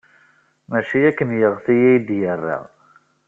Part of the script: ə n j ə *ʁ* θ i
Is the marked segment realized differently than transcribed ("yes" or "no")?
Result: no